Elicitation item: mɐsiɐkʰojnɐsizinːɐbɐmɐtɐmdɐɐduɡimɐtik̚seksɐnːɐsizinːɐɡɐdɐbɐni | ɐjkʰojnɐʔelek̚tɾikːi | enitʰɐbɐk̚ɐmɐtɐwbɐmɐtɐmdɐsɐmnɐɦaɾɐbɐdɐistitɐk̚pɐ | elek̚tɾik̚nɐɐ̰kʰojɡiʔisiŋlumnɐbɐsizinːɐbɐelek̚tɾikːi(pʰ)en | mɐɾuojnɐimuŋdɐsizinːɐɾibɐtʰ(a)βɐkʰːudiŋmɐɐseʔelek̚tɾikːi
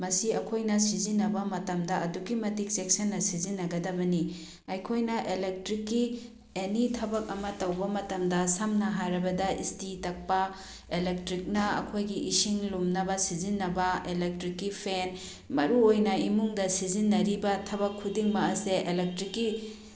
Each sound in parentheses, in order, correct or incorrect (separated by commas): correct, incorrect